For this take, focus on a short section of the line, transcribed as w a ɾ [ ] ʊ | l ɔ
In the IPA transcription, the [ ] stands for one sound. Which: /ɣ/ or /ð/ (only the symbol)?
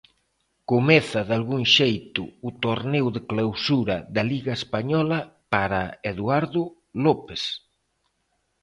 ð